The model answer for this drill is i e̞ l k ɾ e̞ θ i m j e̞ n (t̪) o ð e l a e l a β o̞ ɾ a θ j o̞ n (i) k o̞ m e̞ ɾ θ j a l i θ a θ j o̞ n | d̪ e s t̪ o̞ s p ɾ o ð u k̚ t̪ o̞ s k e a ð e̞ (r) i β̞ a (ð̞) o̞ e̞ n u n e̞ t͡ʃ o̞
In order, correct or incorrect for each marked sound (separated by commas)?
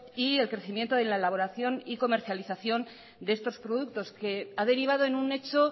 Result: correct, correct, incorrect, correct